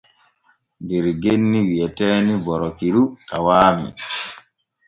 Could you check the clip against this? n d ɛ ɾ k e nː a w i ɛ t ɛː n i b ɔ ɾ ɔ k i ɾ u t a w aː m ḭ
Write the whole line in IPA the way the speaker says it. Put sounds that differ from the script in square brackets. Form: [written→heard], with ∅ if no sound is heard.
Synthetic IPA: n d ɛ ɾ [k→ɡ] e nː [a→i] w i ɛ t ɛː n i b ɔ ɾ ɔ k i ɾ u t a w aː m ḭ